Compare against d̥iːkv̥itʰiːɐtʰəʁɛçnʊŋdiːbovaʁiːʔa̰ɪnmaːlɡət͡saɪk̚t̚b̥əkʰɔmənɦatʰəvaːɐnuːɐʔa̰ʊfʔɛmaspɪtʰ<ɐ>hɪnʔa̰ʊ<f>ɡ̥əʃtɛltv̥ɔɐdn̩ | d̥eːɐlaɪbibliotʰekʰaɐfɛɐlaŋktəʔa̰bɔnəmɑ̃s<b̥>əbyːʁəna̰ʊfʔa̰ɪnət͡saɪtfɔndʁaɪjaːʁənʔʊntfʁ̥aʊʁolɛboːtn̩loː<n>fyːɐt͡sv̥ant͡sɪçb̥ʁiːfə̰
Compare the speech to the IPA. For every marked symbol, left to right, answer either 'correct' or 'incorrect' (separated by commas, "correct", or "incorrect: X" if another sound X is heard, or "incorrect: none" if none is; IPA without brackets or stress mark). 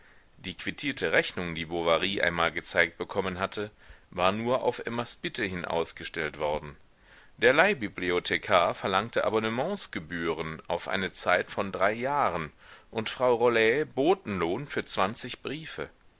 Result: incorrect: ə, incorrect: s, incorrect: ɡ̥, correct